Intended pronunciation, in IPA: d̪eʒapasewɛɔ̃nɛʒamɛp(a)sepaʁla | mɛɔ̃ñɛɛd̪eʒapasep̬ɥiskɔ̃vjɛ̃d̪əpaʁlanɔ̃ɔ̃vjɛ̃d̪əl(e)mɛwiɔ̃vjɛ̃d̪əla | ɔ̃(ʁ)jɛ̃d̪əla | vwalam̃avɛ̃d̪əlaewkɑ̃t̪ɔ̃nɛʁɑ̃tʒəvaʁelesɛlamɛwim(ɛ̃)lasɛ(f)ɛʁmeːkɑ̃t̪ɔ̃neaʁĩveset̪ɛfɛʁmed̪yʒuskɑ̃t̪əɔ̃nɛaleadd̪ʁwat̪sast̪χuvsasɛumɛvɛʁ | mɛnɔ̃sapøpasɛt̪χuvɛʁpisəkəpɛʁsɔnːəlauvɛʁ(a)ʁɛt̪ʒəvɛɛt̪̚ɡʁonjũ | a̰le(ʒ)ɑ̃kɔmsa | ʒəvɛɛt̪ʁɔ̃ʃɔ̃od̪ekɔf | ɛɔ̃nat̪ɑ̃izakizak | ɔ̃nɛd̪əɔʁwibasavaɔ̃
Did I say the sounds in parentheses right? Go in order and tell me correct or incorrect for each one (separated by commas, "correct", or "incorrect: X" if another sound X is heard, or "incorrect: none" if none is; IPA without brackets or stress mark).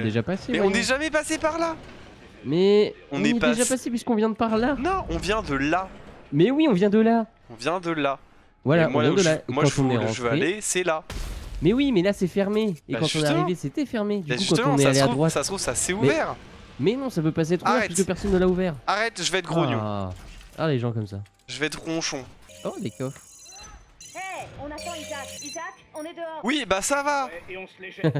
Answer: correct, incorrect: a, incorrect: v, incorrect: ɛ, correct, correct, correct